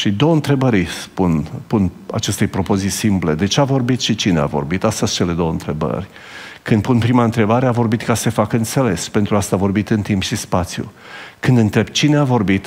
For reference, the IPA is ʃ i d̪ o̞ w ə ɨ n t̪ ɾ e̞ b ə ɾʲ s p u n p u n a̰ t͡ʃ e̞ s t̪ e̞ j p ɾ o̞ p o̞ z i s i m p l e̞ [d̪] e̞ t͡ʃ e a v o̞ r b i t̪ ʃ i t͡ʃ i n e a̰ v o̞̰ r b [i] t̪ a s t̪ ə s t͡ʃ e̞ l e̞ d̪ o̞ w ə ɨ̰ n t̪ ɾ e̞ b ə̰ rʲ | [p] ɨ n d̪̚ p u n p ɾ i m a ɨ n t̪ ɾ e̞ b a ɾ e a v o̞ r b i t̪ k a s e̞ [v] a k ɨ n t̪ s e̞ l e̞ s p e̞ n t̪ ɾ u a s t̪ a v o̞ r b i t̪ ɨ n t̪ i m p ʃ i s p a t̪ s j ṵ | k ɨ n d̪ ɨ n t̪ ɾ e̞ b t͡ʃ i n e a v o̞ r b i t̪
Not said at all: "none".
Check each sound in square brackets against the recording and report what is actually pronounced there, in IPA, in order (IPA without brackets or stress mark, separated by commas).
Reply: d̪, i, k, f